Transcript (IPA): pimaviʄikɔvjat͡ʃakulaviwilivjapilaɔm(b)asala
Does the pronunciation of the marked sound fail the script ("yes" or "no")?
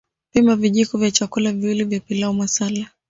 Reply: yes